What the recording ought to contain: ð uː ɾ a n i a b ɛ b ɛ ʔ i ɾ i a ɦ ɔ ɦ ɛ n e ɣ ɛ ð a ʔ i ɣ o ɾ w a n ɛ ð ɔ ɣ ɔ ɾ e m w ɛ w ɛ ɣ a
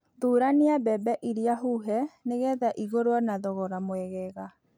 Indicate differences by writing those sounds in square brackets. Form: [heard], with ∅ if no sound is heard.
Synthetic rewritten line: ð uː ɾ a n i a b ɛ b ɛ ʔ i ɾ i a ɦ [u] ɦ ɛ n e ɣ ɛ ð a ʔ i ɣ o ɾ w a n [a] ð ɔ ɣ ɔ ɾ [a] m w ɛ [ɣ] ɛ ɣ a